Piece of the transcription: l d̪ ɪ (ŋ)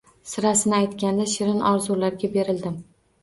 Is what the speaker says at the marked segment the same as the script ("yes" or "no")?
no